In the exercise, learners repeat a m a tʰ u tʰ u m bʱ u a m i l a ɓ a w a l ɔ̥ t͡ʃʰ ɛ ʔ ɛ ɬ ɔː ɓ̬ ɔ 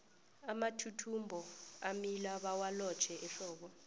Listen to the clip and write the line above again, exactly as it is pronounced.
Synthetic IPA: a m a tʰ u tʰ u m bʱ ɔ a m i l a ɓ a w a l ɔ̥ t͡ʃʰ ɛ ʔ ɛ ɬ ɔː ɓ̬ ɔ